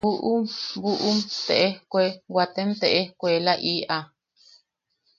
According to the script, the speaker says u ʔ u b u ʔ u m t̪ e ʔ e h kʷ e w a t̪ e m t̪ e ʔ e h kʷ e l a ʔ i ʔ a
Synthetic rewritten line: u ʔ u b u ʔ u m t̪ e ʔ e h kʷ e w a t̪ e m t̪ e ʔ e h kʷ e l a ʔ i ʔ a